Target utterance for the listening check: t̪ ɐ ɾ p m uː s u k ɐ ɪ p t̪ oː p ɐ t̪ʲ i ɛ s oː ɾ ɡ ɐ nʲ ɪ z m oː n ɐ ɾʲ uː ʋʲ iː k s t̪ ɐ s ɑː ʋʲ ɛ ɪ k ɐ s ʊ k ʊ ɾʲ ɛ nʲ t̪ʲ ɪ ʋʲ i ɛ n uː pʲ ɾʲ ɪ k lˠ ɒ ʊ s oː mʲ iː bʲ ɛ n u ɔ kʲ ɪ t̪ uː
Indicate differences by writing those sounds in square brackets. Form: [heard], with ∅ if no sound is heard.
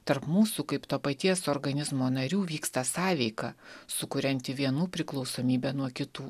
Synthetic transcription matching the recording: t̪ ɐ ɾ p m uː s u k ɐ ɪ p t̪ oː p ɐ t̪ʲ i ɛ s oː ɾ ɡ ɐ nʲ ɪ z m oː n ɐ ɾʲ uː ʋʲ iː k s t̪ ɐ s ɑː ʋʲ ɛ ɪ k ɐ s ʊ k ʊ ɾʲ ɛ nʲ t̪ʲ ɪ ʋʲ i ɛ n uː pʲ ɾʲ ɪ k lˠ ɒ ʊ s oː mʲ iː bʲ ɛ n u ɔ kʲ ɪ t̪ uː